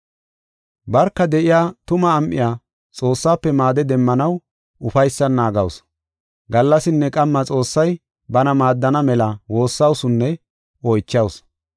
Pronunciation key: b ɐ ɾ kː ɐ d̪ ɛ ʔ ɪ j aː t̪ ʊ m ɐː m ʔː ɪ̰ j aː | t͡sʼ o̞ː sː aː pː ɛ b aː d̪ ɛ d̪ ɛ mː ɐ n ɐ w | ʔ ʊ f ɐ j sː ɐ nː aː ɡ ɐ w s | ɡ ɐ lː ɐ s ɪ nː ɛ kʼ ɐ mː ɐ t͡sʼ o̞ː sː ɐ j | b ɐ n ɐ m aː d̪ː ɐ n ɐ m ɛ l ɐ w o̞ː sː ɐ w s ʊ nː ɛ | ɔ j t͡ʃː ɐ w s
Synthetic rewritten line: b ɐ ɾ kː ɐ d̪ ɛ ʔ ɪ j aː t̪ ʊ m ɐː m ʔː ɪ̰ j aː | t͡sʼ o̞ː sː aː pː ɛ m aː d̪ ɛ d̪ ɛ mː ɐ n ɐ w | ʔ ʊ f ɐ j sː ɐ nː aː ɡ ɐ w s | ɡ ɐ lː ɐ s ɪ nː ɛ kʼ ɐ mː ɐ t͡sʼ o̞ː sː ɐ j | b ɐ n ɐ m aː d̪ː ɐ n ɐ m ɛ l ɐ w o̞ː sː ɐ w s ʊ nː ɛ | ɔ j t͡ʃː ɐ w s